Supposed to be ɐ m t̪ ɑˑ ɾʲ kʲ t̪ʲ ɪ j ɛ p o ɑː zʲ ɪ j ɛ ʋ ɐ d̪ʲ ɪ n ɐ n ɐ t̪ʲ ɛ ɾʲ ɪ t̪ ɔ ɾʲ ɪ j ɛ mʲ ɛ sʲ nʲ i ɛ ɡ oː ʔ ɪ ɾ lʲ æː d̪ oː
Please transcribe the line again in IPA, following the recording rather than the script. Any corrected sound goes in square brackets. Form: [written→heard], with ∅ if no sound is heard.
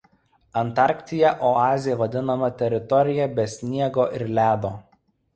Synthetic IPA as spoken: ɐ [m→n] t̪ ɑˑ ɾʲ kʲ t̪ʲ ɪ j ɛ [p→ʔ] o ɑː zʲ ɪ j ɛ ʋ ɐ d̪ʲ ɪ n ɐ [n→m] ɐ t̪ʲ ɛ ɾʲ ɪ t̪ ɔ ɾʲ ɪ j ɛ [mʲ→bʲ] ɛ sʲ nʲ i ɛ ɡ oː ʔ ɪ ɾ lʲ æː d̪ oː